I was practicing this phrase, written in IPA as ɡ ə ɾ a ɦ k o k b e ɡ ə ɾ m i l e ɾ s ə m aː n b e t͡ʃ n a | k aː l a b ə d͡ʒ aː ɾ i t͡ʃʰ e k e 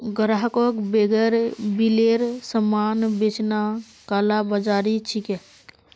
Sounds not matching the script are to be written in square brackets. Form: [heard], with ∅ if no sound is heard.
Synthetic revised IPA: ɡ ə ɾ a ɦ k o k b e ɡ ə ɾ [b] i l e ɾ s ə m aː n b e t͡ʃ n a | k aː l a b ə d͡ʒ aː ɾ i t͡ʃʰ [i] k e